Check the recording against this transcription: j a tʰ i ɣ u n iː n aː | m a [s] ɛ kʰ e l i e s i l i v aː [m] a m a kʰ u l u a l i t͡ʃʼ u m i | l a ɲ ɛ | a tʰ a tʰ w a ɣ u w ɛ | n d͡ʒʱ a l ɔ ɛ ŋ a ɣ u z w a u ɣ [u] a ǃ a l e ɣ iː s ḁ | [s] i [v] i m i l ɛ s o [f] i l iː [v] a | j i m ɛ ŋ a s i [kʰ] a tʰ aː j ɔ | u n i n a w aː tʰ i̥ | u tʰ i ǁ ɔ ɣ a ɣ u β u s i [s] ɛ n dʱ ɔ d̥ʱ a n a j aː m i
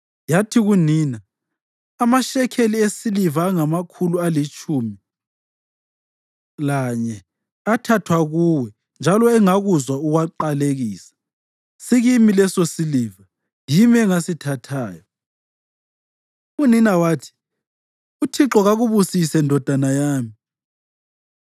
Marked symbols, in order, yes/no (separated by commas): no, no, no, yes, no, no, yes, no, yes